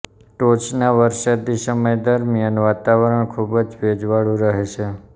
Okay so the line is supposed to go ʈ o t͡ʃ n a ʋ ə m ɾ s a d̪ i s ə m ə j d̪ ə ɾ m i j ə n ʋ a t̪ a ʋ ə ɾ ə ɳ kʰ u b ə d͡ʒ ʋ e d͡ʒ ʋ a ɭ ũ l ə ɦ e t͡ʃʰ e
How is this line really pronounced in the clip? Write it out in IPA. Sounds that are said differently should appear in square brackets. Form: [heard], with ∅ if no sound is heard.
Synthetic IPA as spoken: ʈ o t͡ʃ n a ʋ ə [∅] ɾ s a d̪ i s ə m ə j d̪ ə ɾ m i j ə n ʋ a t̪ a ʋ ə ɾ ə ɳ kʰ u b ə d͡ʒ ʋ e d͡ʒ ʋ a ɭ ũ [ɾ] ə ɦ e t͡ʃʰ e